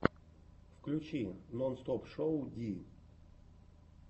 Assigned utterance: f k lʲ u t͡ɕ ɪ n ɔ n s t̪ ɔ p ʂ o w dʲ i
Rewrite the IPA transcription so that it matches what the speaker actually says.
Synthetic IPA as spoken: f k lʲ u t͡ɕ i n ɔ n s t̪ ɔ p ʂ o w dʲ i

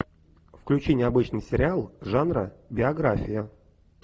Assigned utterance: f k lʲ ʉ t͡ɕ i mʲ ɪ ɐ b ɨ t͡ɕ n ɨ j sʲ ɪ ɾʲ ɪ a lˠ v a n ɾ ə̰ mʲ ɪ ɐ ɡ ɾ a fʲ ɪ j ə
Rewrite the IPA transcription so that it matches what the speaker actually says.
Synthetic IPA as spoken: f k lʲ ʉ t͡ɕ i nʲ ɪ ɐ b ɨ t͡ɕ n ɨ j sʲ ɪ ɾʲ ɪ a lˠ ʐ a n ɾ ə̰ bʲ ɪ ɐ ɡ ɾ a fʲ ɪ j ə

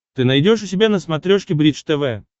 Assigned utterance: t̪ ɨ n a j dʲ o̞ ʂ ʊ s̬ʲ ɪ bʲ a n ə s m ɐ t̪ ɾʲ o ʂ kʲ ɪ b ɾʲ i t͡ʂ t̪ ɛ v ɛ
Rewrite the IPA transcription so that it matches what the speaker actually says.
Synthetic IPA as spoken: t̪ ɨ n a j dʲ o̞ ʂ ʊ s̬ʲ ɪ bʲ a n ə s m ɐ t̪ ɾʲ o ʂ kʲ ɪ b ɾʲ i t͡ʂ t̪ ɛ v ɛ

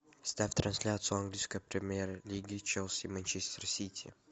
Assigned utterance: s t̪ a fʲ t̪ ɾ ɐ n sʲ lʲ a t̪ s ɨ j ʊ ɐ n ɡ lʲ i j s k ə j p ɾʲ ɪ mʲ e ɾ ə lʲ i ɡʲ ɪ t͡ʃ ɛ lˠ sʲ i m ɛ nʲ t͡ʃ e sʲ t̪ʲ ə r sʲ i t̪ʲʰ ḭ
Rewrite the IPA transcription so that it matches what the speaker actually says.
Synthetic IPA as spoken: s t̪ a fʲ t̪ ɾ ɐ n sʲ lʲ a t̪ s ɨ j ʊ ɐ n ɡ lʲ i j s k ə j p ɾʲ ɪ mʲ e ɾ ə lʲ i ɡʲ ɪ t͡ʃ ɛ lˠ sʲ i m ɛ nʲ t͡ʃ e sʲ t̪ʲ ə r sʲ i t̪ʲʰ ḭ

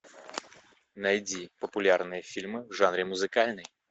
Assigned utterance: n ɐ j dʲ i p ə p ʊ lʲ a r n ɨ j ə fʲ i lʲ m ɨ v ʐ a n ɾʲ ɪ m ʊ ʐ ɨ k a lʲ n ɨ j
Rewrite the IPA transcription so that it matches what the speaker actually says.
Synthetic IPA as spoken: n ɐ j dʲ i p ə p ʊ lʲ a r n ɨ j ə fʲ i lʲ m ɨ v ʐ a n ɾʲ ɪ m ʊ z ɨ k a lʲ n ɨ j

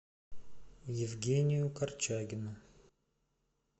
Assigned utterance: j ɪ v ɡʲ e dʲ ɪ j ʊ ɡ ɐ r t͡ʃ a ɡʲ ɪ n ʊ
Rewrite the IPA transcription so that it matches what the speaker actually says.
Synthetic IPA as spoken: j ɪ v ɡʲ e nʲ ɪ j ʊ k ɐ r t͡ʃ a ɡʲ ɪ n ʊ

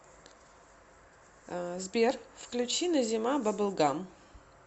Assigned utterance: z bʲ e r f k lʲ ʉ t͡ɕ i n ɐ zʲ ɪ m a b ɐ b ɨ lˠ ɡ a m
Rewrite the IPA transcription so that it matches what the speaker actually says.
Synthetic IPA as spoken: z bʲ e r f k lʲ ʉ t͡ɕ i n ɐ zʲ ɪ m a b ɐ b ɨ lˠ ɡ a m

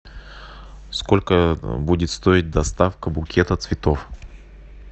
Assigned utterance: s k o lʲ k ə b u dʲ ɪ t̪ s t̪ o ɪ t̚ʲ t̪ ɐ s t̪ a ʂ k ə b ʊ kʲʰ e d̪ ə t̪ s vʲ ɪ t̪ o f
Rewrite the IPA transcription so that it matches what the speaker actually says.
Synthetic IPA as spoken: s k o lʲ k ə b u dʲ ɪ t̪ s t̪ o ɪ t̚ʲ d̪ ɐ s t̪ a f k ə b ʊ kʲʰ e t̪ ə t̪ s vʲ ɪ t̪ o f

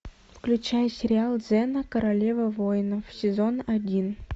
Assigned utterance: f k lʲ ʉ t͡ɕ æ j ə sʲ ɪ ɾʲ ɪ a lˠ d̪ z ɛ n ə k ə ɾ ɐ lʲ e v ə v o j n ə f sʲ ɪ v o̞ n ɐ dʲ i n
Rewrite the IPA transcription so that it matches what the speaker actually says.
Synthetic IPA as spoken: f k lʲ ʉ t͡ɕ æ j ə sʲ ɪ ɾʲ ɪ a lˠ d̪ z ɛ n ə k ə ɾ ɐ lʲ e v ə v o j n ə f sʲ ɪ z o̞ n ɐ dʲ i n

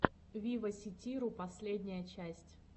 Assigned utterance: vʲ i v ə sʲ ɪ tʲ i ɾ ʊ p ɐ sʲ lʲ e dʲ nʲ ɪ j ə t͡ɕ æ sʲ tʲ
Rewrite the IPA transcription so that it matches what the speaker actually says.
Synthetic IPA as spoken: vʲ i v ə sʲ ɪ tʲ i ɾ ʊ p ɐ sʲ lʲ e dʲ nʲ ɪ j ə t͡ɕ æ sʲ tʲ

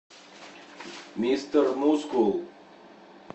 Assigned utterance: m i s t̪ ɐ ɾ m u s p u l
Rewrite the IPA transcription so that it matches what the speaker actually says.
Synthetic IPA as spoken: m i s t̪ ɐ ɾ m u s k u l

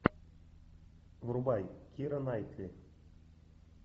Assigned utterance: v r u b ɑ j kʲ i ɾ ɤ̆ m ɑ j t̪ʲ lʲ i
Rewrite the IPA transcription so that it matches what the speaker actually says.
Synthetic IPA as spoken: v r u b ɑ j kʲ i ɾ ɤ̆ n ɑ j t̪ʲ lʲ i

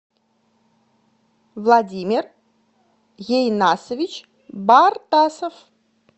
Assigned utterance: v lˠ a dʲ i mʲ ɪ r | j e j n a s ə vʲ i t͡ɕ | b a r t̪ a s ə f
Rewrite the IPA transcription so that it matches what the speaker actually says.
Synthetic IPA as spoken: v lˠ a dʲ i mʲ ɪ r | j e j n a s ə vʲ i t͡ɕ | b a r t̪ a s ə f

